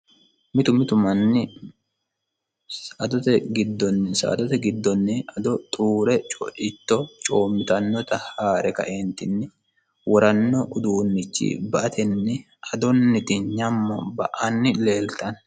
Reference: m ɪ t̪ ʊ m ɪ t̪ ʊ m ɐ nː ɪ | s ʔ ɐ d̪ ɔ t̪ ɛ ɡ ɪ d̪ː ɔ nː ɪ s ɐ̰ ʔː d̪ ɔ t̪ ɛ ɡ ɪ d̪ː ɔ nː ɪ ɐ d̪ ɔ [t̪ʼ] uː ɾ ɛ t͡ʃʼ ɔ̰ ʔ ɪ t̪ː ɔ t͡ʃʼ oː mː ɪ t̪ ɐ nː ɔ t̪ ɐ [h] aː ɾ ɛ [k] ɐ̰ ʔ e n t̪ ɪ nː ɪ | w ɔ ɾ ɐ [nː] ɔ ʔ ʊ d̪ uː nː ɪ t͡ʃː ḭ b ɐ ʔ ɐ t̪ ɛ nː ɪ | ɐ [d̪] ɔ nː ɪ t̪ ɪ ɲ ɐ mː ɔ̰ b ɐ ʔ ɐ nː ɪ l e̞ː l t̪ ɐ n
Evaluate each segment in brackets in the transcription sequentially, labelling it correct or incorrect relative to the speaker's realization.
correct, correct, correct, correct, correct

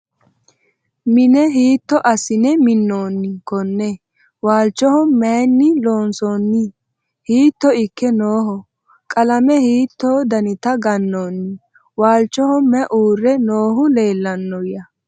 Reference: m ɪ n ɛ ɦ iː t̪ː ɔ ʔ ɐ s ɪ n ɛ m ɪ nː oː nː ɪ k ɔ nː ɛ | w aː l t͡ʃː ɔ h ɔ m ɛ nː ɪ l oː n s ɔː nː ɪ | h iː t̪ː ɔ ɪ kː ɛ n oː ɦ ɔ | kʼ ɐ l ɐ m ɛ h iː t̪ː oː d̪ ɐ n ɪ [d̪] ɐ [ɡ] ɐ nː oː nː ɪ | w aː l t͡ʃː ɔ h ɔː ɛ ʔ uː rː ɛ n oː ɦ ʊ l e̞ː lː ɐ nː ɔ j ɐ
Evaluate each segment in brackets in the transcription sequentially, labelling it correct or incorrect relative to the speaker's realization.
incorrect, correct

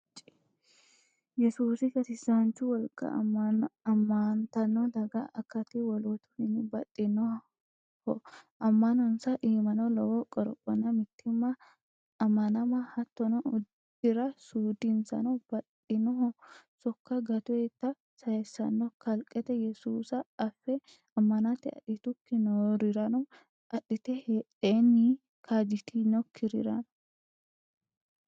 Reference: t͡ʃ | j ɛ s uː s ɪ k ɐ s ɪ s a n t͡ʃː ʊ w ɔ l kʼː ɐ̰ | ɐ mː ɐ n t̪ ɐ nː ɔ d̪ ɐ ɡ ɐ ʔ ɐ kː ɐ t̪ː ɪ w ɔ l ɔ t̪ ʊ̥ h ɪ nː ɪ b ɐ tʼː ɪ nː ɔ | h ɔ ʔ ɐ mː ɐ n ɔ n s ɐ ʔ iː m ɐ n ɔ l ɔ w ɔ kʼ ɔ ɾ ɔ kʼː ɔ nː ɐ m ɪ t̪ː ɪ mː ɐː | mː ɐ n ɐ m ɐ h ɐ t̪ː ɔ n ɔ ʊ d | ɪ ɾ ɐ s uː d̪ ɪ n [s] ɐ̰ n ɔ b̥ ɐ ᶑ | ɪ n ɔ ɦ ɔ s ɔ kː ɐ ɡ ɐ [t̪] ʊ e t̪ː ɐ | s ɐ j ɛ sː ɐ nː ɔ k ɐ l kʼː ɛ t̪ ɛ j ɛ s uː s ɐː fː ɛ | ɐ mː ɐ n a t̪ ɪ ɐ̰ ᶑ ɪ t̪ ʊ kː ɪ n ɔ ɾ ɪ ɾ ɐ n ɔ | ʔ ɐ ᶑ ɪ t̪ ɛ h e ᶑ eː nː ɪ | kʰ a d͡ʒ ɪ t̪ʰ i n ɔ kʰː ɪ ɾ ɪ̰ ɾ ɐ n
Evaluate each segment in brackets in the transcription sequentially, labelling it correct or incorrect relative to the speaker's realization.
correct, correct

